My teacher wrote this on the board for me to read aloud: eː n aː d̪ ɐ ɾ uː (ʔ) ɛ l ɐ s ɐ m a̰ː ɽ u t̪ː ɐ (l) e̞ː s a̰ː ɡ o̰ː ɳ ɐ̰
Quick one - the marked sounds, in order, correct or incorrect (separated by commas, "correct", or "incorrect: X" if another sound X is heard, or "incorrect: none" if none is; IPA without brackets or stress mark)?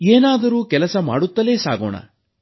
incorrect: k, correct